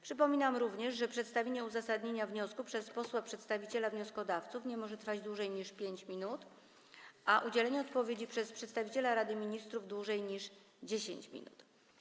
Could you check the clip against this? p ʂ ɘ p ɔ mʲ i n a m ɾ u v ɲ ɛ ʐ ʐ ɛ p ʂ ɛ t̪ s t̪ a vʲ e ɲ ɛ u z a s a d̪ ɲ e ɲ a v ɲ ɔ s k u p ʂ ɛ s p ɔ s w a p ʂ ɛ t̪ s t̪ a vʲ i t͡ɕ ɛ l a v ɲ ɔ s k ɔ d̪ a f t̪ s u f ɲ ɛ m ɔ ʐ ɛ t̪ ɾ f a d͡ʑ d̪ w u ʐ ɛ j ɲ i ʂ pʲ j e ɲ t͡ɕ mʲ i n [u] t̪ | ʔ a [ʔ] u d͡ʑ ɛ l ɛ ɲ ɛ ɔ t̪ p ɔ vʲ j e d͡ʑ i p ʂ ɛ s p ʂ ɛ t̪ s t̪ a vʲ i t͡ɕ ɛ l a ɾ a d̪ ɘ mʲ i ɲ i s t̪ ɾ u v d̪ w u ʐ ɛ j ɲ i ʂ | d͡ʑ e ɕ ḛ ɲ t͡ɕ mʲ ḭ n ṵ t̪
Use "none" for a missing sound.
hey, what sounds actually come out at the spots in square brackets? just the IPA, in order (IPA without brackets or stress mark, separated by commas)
u, ʔ